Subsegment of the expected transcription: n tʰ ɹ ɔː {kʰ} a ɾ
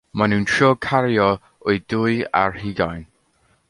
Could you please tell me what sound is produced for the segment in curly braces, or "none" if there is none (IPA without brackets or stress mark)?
kʰ